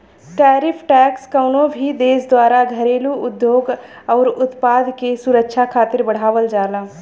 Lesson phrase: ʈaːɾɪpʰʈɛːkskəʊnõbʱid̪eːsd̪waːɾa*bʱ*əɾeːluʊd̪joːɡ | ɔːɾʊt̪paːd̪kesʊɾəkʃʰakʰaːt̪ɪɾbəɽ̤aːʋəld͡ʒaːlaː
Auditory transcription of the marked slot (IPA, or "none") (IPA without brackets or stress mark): ɡʱ